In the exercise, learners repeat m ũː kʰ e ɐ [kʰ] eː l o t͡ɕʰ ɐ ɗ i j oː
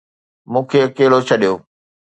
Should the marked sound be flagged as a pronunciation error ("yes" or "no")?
yes